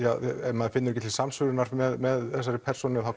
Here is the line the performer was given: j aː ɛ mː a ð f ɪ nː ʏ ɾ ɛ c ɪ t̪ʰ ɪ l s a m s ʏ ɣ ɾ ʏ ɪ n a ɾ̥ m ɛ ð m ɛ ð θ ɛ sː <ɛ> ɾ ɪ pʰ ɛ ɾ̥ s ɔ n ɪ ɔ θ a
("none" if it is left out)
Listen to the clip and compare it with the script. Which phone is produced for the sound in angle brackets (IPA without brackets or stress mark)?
a